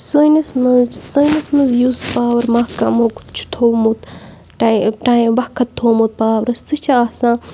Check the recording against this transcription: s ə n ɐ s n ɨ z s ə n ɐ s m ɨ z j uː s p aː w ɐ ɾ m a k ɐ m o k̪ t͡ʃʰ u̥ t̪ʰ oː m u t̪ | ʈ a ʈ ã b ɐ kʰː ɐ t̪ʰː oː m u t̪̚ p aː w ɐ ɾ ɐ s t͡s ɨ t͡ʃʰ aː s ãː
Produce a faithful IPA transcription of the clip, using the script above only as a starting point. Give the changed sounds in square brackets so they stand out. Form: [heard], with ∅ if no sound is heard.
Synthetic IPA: s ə n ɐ s [m] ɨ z s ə n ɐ s m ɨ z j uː s p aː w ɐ ɾ m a k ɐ m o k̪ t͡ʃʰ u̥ t̪ʰ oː m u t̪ | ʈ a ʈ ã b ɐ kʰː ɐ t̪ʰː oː m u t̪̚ p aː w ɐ ɾ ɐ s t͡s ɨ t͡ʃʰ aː s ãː